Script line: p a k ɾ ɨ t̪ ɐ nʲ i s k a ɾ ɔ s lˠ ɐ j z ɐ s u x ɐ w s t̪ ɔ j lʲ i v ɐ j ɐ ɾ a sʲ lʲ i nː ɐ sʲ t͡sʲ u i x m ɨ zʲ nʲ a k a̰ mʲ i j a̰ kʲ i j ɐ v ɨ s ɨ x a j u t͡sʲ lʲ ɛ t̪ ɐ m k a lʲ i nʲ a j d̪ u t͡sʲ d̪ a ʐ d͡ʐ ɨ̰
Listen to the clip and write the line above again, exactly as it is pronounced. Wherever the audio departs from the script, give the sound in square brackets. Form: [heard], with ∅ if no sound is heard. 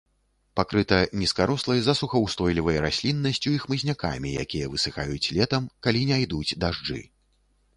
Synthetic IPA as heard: p a k ɾ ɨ t̪ ɐ nʲ i s k a ɾ ɔ s lˠ ɐ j z ɐ s u x ɐ w s t̪ ɔ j lʲ i v ɐ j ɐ ɾ a sʲ lʲ i nː ɐ sʲ t͡sʲ u i x m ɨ zʲ nʲ a k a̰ mʲ i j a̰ kʲ i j ɐ v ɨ s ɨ x a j u t͡sʲ lʲ ɛ t̪ ɐ m k a lʲ i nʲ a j d̪ u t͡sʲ d̪ a ʐ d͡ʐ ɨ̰